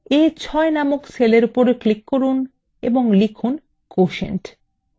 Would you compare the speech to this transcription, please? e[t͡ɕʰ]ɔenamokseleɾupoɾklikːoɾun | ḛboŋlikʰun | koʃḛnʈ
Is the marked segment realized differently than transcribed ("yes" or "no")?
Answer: no